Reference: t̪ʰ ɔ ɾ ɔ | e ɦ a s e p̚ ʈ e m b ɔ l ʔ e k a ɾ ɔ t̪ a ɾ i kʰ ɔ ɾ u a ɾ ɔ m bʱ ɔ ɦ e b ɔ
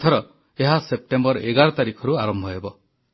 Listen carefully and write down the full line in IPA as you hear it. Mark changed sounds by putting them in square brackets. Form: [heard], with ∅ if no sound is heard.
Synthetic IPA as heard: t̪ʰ ɔ ɾ ɔ | e ɦ a s e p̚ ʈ e m b ɔ [ɾ] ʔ e [ɡ] a ɾ ɔ t̪ a ɾ i kʰ ɔ ɾ u a ɾ ɔ m bʱ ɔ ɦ e b ɔ